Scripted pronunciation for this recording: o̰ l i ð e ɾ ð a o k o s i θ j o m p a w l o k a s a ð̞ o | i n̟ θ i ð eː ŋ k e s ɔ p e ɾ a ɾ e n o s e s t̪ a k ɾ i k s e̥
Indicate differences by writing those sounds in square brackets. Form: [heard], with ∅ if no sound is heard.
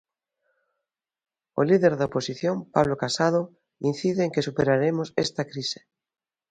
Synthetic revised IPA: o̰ l i ð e ɾ ð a o [p] o s i θ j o m p a [β] l o k a s a ð̞ o | i n̟ θ i ð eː ŋ k e s [u] p e ɾ a ɾ e [m] o s e s t̪ a k ɾ i [∅] s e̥